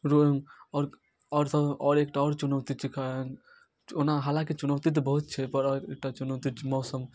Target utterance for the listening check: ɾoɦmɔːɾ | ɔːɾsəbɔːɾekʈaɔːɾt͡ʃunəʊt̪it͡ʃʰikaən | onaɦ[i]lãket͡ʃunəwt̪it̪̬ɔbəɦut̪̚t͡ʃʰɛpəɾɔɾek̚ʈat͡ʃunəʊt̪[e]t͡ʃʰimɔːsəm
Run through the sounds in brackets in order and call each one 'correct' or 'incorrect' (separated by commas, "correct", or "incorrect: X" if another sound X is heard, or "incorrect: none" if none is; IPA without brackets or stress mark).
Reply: incorrect: a, incorrect: i